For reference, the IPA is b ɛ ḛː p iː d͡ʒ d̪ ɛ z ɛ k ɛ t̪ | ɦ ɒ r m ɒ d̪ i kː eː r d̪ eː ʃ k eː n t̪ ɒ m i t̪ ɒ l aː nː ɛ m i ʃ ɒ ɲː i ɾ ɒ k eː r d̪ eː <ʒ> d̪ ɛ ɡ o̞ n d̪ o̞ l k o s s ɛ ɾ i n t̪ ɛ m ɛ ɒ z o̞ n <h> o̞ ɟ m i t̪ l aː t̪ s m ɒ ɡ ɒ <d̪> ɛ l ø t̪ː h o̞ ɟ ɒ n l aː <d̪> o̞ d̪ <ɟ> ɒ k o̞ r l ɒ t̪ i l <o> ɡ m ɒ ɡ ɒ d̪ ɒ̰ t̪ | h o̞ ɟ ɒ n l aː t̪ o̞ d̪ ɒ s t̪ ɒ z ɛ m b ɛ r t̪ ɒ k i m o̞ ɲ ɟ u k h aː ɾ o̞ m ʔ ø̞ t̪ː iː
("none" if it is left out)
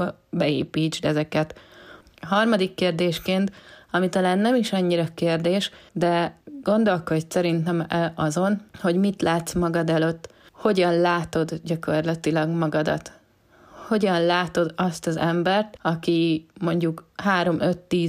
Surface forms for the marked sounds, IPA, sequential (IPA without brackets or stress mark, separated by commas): ʃ, h, d̪, t̪, ɟ, ɒ